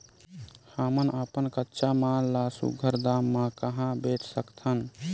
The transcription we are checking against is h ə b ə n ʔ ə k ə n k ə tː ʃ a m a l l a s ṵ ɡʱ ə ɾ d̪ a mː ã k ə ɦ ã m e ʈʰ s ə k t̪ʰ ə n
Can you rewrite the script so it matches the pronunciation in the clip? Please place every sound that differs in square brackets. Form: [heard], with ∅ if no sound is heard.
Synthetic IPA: h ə [m] ə n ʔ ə [p] ə n k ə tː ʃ a m a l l a s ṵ ɡʱ ə ɾ d̪ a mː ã k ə ɦ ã [b] e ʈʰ s ə k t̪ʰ ə n

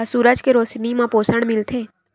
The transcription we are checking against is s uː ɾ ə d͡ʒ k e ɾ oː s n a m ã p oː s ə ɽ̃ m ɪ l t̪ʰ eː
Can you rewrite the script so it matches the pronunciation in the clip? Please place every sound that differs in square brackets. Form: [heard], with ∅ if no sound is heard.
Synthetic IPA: s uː ɾ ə d͡ʒ k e ɾ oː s n [i] m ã p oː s ə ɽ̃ m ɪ l t̪ʰ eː

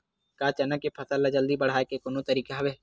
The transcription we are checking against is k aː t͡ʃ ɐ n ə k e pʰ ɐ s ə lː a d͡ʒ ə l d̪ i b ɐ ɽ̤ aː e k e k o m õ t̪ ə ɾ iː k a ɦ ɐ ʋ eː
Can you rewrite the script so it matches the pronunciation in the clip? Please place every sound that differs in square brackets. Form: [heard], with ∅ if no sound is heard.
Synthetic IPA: k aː t͡ʃ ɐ n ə k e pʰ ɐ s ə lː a d͡ʒ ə l d̪ i b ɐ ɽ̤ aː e k e k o [n] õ t̪ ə ɾ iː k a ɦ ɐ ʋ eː

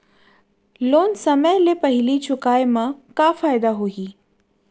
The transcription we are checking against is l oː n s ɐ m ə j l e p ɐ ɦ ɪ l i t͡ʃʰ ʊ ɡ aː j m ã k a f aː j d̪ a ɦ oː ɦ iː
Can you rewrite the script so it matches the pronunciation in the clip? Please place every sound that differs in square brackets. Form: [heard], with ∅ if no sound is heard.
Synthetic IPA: l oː n s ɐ m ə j l e p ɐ ɦ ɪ l i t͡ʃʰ ʊ [k] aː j m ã k a f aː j d̪ a ɦ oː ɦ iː

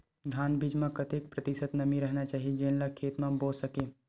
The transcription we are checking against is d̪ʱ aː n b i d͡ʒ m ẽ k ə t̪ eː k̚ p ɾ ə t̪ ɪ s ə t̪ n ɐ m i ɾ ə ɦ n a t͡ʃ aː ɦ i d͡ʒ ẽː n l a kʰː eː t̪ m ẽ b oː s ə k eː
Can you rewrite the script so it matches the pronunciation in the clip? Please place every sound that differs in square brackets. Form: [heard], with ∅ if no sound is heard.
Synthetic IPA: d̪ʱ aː n b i d͡ʒ m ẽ k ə t̪ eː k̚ p ɾ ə t̪ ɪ s ə t̪ n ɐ m i ɾ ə ɦ n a t͡ʃ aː ɦ i d͡ʒ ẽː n l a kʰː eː t̪ m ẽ b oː s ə k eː

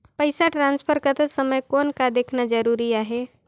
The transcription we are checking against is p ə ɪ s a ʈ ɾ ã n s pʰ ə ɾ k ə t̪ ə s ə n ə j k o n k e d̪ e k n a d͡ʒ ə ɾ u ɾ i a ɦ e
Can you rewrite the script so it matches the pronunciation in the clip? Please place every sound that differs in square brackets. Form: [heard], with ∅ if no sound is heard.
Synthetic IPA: p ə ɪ s a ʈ ɾ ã n s pʰ ə ɾ k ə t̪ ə s ə [m] ə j k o n k [a] d̪ e [kʰ] n a d͡ʒ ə ɾ u ɾ i a ɦ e

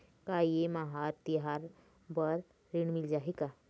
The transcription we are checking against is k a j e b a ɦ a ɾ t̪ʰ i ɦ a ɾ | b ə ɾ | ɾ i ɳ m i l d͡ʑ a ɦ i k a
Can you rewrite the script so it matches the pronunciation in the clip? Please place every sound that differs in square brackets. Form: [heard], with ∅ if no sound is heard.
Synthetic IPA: k a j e [m] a ɦ a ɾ [t̪] i ɦ a ɾ | b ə ɾ | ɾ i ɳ m i l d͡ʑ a ɦ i k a

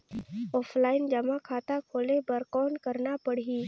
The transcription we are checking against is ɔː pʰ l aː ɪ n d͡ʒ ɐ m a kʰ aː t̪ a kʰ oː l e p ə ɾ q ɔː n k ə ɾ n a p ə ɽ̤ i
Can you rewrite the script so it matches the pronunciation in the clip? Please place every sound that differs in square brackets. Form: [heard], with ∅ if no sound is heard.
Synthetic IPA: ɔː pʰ l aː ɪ n d͡ʒ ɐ m a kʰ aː t̪ a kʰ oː l e [b] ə ɾ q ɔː n k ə ɾ n a p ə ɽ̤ i

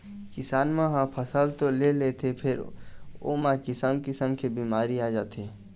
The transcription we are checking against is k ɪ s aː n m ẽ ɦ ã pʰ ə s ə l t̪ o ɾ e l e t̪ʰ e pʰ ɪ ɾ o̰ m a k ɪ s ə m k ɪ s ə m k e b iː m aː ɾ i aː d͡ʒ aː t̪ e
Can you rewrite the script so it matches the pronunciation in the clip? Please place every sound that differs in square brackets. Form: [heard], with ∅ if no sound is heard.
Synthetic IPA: k ɪ s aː n m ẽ ɦ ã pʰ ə s ə l t̪ o [l] e l e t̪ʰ e pʰ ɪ ɾ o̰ m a k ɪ s ə m k ɪ s ə m k e b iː m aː ɾ i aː d͡ʒ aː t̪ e

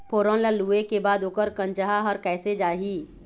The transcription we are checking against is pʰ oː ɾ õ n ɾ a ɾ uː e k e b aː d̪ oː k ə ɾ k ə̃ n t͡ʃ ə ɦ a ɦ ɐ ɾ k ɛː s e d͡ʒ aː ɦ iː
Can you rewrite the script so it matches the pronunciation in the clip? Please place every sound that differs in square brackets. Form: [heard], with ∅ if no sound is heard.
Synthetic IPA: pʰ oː ɾ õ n [l] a [l] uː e k e b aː d̪ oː k ə ɾ k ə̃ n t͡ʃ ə ɦ a ɦ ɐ ɾ k ɛː s e d͡ʒ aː ɦ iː

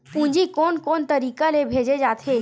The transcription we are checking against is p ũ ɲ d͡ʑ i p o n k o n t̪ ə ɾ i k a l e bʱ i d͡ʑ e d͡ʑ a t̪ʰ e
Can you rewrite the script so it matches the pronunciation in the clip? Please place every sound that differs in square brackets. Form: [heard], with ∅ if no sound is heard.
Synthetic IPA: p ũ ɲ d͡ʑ i [k] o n k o n t̪ ə ɾ i k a l e bʱ [e] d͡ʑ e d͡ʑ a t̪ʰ e

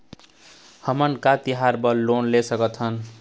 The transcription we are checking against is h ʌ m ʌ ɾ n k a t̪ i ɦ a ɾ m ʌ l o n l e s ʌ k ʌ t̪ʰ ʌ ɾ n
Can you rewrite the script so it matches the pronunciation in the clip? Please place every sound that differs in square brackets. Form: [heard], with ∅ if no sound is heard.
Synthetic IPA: h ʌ m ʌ [∅] n k a t̪ i ɦ a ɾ [b] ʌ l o n l e s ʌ k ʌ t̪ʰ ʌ [∅] n

